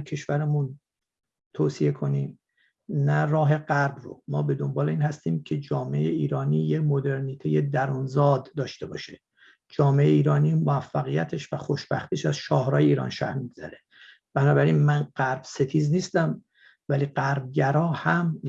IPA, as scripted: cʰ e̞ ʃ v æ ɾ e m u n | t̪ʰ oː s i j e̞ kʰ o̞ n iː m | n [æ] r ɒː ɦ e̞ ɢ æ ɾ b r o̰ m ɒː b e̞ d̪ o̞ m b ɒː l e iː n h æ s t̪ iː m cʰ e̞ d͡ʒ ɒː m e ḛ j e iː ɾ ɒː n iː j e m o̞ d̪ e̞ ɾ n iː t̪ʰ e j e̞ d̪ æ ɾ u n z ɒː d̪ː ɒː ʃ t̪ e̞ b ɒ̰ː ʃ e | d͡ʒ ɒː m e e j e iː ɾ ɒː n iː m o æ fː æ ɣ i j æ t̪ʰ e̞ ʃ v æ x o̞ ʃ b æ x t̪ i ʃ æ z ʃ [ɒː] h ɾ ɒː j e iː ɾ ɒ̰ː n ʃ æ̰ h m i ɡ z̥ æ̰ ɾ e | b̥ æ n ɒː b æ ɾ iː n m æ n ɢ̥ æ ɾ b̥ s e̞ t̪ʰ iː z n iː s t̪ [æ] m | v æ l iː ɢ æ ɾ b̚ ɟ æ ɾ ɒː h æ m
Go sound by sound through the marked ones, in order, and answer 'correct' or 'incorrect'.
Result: correct, correct, correct

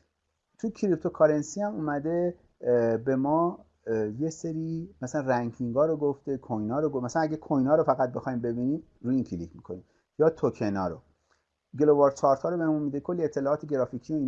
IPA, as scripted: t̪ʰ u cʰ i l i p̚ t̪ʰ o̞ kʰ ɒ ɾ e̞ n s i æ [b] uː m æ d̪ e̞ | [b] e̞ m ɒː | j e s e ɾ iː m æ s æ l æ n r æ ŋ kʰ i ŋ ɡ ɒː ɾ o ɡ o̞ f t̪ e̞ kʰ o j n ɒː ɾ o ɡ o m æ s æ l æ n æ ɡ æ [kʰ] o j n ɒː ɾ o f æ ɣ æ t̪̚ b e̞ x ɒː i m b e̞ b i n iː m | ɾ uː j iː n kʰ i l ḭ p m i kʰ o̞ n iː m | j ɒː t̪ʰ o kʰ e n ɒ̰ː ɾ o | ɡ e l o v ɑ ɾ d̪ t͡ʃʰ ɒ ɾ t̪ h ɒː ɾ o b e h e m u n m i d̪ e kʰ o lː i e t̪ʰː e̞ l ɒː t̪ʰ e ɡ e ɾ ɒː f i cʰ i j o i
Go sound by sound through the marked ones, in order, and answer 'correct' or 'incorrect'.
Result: incorrect, correct, correct

